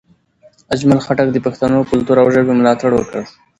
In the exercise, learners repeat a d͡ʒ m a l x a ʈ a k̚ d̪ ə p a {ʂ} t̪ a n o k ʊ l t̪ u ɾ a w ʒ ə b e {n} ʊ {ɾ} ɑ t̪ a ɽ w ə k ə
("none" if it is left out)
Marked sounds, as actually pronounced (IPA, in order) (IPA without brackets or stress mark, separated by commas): x, m, l